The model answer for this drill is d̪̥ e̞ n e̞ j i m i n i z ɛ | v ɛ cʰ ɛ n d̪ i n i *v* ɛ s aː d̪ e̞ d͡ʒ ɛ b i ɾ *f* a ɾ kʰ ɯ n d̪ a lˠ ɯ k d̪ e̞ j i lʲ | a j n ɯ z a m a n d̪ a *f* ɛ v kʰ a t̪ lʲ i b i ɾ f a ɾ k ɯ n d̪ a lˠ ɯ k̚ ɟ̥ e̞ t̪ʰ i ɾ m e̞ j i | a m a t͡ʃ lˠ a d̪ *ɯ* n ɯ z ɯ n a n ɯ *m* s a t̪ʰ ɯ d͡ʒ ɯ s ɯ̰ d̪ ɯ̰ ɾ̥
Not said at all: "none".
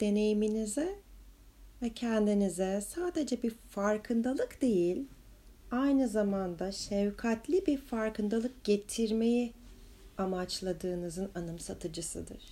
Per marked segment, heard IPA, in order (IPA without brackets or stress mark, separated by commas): z, f, ʃ, ɯː, m